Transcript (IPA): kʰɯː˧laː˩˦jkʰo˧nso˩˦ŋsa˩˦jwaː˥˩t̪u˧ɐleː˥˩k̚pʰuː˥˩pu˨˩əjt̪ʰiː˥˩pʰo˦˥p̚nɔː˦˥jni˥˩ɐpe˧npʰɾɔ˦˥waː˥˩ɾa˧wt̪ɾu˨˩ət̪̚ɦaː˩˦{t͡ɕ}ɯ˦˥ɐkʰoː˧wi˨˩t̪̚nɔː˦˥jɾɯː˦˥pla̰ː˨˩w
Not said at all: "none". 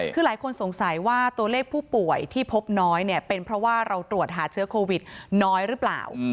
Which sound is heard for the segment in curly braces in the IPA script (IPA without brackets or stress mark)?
t͡ɕʰ